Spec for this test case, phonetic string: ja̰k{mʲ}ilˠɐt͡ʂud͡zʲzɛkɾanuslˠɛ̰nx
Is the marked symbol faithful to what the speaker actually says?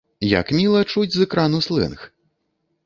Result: yes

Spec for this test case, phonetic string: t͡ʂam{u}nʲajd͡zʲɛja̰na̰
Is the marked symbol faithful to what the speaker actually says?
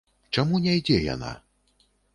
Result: yes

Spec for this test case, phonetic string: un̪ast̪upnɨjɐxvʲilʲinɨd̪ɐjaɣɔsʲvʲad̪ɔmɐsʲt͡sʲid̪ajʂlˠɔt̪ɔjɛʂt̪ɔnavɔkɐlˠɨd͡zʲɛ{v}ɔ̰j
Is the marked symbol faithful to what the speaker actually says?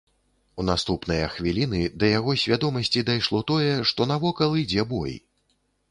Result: no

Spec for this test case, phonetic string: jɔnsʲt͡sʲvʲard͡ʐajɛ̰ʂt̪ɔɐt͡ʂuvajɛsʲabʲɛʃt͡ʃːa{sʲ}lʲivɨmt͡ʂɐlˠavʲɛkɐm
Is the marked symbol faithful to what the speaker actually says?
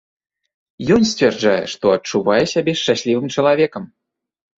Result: yes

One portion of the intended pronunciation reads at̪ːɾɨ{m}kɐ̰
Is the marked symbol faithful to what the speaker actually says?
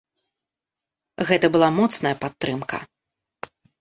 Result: yes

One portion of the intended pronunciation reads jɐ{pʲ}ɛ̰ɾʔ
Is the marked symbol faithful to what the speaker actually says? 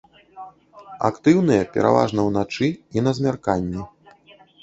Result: yes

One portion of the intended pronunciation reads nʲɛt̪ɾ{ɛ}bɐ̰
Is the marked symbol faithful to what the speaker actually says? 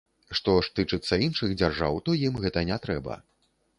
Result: yes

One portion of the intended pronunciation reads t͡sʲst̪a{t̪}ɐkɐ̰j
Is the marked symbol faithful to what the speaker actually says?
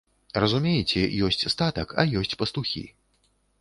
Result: yes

